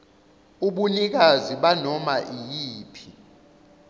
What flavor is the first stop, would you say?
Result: implosive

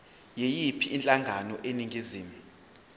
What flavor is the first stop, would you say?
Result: aspirated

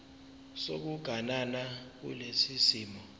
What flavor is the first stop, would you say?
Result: plain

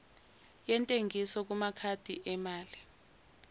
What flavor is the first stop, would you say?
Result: ejective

